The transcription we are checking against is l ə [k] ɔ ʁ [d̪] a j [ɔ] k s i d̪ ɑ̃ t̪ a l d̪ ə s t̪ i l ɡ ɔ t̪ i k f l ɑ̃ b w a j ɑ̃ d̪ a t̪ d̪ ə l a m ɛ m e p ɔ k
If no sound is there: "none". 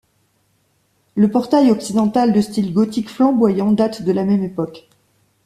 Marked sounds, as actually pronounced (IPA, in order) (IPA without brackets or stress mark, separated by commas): p, t̪, ɔ